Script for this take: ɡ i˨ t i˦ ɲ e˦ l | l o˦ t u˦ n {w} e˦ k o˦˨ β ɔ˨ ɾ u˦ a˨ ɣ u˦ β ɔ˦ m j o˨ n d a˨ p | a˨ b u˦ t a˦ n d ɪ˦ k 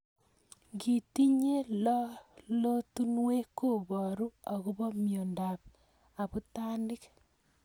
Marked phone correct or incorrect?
correct